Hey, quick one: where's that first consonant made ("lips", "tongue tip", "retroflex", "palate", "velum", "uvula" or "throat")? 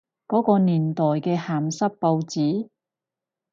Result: velum